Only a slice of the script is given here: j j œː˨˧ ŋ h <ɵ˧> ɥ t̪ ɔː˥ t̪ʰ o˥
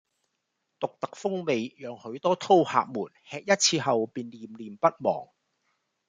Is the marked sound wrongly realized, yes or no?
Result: yes